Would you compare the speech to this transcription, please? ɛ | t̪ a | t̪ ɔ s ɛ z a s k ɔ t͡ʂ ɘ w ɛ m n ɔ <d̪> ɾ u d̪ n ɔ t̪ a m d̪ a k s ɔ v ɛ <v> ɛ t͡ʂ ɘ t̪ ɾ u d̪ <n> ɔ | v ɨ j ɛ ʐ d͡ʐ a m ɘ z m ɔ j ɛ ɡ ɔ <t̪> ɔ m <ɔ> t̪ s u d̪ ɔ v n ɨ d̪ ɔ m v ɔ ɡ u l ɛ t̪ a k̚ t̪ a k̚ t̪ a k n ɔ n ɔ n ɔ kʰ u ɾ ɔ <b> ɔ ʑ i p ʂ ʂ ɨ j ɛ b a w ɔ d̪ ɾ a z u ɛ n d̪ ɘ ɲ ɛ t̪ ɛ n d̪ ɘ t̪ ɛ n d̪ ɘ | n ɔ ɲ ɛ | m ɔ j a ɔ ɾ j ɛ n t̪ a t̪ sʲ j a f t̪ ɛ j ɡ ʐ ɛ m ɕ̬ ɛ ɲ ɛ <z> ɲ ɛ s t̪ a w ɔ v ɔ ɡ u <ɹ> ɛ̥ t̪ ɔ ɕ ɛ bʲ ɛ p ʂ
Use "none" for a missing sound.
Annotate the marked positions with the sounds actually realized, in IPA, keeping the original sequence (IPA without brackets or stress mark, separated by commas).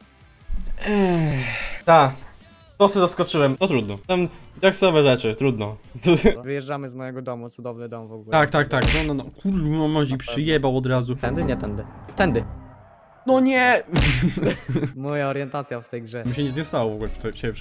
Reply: t̪, ʐ, n, d̪, u, m, z, l